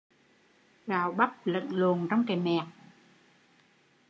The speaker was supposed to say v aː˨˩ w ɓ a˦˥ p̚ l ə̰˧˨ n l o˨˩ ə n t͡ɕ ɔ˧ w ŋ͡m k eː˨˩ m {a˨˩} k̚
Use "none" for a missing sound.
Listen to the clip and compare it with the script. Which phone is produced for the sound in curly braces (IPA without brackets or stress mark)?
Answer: ɛ˨˩